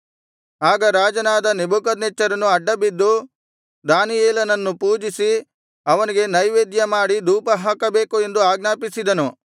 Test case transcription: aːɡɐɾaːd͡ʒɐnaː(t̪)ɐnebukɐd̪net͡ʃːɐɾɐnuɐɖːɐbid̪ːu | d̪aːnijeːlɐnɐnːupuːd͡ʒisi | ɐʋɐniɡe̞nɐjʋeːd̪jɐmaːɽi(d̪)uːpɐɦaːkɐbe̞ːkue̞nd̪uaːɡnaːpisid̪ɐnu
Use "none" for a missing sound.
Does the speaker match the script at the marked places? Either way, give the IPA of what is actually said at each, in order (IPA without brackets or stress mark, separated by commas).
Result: d̪, d̪